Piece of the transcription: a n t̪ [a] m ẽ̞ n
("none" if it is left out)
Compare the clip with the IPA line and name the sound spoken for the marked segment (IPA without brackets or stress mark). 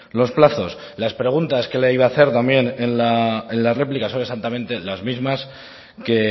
a